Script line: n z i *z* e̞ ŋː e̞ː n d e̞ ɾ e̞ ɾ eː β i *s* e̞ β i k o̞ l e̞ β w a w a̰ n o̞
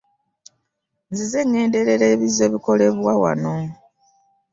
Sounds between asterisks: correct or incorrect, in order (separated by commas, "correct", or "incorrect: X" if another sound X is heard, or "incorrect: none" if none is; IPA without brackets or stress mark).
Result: correct, incorrect: z